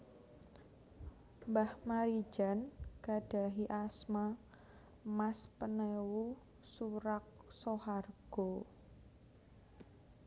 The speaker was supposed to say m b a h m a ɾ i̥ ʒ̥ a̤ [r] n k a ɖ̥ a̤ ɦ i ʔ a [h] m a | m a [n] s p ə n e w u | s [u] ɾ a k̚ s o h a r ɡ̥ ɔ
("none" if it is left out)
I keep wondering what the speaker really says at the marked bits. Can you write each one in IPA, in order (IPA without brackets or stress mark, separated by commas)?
none, s, none, u